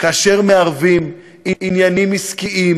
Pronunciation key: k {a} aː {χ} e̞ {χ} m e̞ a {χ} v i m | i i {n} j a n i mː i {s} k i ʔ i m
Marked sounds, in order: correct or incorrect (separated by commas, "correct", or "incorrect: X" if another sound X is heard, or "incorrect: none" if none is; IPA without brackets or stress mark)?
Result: correct, incorrect: ʃ, incorrect: ʁ, incorrect: ʁ, correct, correct